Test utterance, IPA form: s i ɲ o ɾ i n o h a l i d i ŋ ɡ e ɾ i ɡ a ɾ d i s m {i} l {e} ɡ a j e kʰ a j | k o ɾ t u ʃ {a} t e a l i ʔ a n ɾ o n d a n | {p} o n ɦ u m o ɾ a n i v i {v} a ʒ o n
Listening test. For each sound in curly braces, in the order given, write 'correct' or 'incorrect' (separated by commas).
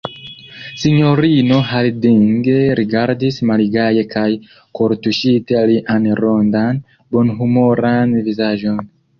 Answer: incorrect, incorrect, incorrect, incorrect, incorrect